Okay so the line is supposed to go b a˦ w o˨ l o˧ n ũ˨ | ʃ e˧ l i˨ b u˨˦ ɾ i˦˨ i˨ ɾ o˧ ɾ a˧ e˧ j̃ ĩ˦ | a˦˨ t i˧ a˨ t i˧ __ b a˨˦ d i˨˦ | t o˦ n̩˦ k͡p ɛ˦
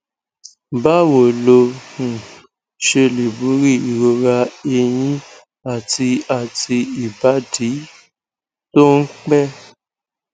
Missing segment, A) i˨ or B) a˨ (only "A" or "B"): A